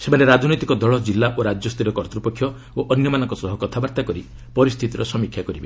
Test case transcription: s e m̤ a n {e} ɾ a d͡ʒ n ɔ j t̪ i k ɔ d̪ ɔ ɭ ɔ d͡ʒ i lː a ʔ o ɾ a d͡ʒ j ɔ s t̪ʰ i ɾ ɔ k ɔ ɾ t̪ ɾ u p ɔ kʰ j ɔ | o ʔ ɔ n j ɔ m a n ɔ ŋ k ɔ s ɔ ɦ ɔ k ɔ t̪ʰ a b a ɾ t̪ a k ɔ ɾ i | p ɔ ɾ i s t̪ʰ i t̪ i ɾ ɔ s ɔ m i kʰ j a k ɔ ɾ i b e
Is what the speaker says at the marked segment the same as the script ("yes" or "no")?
yes